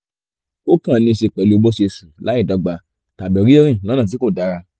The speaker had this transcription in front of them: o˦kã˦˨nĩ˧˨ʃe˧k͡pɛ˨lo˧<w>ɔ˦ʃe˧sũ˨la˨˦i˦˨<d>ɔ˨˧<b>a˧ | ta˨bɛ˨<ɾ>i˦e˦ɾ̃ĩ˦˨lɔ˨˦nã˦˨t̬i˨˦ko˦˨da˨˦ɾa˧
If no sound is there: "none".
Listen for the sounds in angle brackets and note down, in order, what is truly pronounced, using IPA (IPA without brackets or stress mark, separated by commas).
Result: b, d, ɡ͡b, ɾ